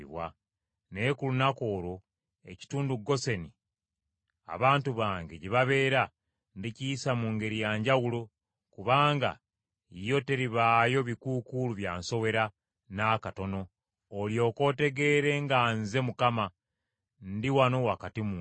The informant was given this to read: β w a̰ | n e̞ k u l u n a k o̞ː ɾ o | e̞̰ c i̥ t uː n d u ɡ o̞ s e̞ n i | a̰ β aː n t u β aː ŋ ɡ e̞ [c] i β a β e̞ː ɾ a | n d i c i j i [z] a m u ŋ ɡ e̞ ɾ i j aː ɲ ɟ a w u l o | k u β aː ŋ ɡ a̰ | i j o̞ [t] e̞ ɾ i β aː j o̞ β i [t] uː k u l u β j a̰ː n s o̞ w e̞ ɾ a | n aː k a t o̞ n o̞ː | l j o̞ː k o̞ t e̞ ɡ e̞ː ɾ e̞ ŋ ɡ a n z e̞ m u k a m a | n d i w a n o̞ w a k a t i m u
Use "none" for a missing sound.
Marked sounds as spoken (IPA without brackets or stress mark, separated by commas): ɟ, s, t, k